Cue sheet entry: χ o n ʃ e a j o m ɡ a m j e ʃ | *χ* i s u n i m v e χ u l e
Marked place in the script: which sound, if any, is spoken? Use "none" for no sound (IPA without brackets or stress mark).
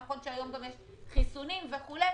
χ